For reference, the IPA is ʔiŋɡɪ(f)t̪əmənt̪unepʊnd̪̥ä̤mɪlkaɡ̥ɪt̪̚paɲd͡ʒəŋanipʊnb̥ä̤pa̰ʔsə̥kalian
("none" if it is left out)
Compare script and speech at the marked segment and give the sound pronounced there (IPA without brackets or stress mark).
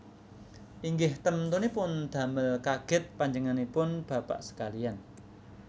h